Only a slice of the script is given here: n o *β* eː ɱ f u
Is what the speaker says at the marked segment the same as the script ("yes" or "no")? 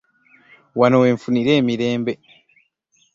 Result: no